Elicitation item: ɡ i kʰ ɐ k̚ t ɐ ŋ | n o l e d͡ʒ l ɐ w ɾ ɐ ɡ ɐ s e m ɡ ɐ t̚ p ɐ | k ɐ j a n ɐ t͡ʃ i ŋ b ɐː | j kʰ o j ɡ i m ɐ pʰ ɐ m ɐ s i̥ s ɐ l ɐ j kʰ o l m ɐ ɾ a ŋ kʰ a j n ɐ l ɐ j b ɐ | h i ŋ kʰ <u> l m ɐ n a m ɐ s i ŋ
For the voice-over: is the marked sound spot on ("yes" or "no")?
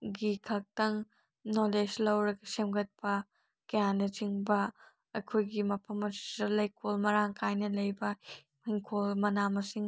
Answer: no